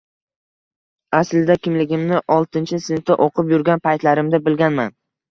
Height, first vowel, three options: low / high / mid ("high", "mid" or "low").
low